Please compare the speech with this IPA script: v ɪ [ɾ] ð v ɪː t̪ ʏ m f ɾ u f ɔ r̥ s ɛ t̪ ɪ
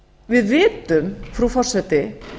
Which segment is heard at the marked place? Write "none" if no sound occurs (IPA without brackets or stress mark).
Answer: none